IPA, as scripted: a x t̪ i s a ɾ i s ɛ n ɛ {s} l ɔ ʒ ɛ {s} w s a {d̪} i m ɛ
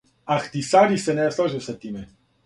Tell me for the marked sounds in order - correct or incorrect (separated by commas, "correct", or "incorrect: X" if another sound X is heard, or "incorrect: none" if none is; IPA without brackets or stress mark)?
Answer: correct, incorrect: none, incorrect: t̪